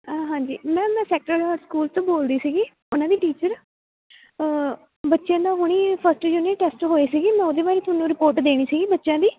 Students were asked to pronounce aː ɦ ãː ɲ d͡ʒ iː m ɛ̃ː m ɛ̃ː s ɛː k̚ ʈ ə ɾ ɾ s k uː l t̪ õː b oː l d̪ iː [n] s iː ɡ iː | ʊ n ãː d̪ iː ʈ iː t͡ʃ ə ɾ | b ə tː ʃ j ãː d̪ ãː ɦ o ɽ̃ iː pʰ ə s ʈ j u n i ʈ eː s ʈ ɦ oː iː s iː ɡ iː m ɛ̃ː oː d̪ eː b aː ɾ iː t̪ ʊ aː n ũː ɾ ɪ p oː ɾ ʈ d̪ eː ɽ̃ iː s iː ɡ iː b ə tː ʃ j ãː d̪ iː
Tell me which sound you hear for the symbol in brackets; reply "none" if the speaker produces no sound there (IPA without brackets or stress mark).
none